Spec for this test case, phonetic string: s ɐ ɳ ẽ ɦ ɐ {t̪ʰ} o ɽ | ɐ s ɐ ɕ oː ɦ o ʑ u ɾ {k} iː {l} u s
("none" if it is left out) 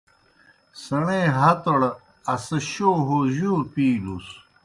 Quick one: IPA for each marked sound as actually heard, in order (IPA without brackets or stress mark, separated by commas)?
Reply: t̪, p, l